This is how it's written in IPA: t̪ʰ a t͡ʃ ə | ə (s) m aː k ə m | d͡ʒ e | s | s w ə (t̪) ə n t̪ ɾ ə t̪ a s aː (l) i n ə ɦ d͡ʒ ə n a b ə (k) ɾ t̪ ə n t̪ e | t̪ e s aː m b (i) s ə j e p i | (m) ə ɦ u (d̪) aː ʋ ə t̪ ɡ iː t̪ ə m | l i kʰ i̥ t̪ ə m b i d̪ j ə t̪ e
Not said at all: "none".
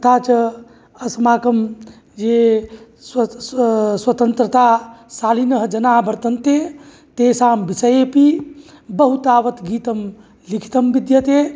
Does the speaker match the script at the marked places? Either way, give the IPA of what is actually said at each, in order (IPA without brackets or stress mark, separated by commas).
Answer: s, t̪, l, none, i, b, t̪